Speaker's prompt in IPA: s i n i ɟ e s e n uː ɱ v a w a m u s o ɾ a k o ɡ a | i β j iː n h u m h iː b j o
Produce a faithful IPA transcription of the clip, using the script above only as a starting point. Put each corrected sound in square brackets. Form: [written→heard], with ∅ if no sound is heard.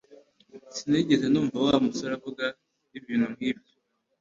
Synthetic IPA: s i n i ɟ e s e n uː ɱ v a w a m u s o ɾ a k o ɡ a | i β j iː n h u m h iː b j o